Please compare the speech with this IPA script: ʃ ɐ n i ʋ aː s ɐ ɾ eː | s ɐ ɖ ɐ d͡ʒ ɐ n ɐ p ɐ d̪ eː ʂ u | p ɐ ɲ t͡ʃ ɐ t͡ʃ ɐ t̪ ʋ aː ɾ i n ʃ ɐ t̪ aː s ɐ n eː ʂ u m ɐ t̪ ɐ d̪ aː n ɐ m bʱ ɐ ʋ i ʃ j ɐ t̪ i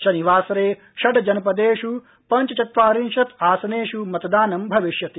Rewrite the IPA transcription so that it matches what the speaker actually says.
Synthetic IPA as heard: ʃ ɐ n i ʋ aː s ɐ ɾ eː | ʃ ɐ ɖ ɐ d͡ʒ ɐ n ɐ p ɐ d̪ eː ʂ u | p ɐ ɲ t͡ʃ ɐ t͡ʃ ɐ t̪ ʋ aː ɾ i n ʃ ɐ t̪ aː s ɐ n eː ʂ u m ɐ t̪ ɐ d̪ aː n ɐ m bʱ ɐ ʋ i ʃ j ɐ t̪ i